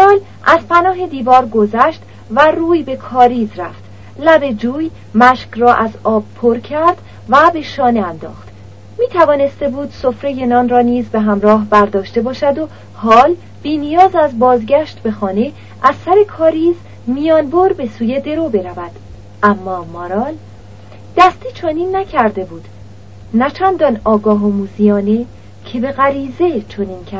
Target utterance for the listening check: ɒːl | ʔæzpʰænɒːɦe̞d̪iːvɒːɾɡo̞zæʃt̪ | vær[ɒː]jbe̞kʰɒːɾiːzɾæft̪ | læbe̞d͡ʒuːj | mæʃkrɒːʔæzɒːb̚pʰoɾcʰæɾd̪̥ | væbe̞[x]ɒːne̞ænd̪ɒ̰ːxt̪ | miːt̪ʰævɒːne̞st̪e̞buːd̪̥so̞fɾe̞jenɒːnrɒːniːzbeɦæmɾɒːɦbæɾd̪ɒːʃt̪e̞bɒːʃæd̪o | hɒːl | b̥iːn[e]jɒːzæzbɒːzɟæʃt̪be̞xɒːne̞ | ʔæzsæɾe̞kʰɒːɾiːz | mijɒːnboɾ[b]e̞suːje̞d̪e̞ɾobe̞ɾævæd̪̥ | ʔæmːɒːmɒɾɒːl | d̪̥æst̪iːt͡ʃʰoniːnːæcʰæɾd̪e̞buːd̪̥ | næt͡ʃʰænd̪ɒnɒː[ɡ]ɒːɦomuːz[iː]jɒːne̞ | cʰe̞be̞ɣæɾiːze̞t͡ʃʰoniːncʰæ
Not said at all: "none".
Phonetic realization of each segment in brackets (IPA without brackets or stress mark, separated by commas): uː, ʃ, i, b, ɡ, i